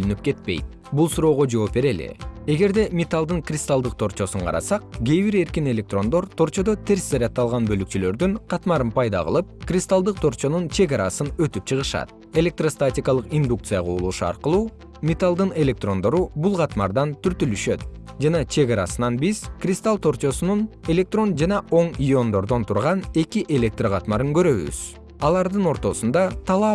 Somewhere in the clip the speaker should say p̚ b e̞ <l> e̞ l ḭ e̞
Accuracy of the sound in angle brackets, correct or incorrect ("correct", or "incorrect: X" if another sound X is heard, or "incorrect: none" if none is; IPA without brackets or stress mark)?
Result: incorrect: ɾ